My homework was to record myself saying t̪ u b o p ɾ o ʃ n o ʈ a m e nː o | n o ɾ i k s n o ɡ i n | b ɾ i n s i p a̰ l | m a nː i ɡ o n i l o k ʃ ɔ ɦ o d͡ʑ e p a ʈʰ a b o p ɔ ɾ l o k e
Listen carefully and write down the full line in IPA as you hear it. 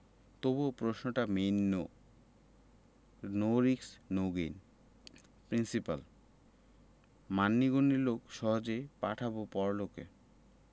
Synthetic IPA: t̪ o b o p ɾ o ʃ n o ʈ a m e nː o | n o ɾ i k s n o ɡ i n | p ɾ i n s i p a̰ l | m a nː i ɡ o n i l o k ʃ ɔ ɦ o d͡ʑ e p a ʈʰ a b o p ɔ ɾ l o k e